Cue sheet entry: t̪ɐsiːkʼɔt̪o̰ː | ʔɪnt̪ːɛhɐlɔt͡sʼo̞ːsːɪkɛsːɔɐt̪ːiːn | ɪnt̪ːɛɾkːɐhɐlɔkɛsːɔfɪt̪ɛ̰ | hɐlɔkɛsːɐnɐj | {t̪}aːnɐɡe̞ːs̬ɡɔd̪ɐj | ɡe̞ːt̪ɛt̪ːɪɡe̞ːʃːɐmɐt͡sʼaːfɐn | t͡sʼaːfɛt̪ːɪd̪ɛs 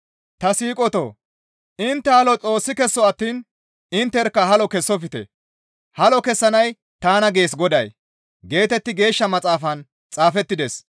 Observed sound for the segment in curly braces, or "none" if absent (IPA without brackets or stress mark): t̪